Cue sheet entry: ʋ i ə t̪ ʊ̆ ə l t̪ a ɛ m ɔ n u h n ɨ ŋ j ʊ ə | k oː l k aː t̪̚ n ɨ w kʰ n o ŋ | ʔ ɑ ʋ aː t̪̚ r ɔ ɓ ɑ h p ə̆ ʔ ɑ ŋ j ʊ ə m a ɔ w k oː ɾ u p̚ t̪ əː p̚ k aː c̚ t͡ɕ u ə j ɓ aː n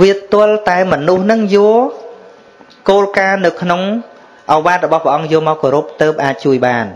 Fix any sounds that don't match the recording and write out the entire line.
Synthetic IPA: ʋ i ə t̪ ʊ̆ ə l t̪ a ɛ m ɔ n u h n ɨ ŋ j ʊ ə | k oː l k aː n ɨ w kʰ n o ŋ | ʔ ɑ ʋ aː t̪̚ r ɔ ɓ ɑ h p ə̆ ʔ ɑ ŋ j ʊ ə m a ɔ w k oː ɾ u p̚ t̪ əː p̚ ʔ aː c̚ t͡ɕ u ə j ɓ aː n